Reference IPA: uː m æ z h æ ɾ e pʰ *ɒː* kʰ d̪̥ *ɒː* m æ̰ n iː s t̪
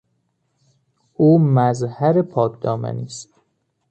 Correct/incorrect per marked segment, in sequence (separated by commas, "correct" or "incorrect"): correct, correct